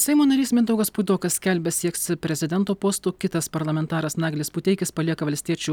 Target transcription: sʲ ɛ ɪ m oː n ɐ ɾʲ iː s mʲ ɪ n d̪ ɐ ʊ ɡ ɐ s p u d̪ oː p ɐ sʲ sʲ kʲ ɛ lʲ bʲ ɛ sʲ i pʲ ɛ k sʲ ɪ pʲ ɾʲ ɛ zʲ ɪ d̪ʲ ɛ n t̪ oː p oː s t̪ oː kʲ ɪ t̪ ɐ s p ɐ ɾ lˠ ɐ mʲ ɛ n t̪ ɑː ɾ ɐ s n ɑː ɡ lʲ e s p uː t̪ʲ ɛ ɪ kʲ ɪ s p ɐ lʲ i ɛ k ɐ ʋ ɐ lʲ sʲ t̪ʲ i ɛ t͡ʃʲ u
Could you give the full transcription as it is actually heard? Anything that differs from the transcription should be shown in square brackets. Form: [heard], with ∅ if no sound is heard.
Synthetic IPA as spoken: sʲ ɛ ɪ m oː n ɐ ɾʲ iː s mʲ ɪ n d̪ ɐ ʊ ɡ ɐ s p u d̪ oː [k] ɐ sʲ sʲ kʲ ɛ lʲ bʲ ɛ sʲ i [∅] ɛ k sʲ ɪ pʲ ɾʲ ɛ zʲ ɪ d̪ʲ ɛ n t̪ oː p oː s t̪ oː kʲ ɪ t̪ ɐ s p ɐ ɾ lˠ ɐ mʲ ɛ n t̪ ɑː ɾ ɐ s n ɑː ɡ lʲ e s p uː t̪ʲ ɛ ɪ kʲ ɪ s p ɐ lʲ i ɛ k ɐ ʋ ɐ lʲ sʲ t̪ʲ i ɛ t͡ʃʲ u